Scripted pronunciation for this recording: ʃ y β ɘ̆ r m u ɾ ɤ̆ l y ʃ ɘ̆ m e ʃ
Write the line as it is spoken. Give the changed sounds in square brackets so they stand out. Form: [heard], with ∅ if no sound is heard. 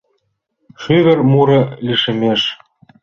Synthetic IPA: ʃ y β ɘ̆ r m u ɾ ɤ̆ l [i] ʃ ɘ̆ m e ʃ